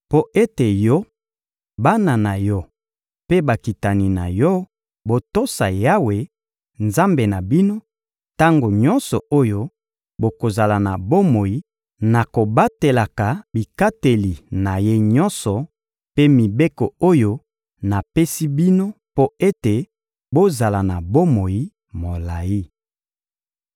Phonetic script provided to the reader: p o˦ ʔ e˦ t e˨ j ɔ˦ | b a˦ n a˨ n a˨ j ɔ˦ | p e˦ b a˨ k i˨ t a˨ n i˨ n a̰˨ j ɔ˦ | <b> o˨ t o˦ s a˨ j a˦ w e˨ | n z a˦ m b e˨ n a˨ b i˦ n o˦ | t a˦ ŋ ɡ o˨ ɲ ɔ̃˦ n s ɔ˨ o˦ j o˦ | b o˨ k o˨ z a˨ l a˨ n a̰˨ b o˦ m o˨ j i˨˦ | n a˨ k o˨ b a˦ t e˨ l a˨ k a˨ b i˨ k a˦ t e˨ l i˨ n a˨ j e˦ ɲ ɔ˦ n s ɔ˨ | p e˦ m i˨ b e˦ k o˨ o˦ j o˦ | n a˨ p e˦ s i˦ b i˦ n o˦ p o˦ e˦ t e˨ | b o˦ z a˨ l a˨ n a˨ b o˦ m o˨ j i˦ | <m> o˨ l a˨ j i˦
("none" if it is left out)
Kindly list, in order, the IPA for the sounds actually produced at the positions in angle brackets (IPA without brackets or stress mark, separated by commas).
b, m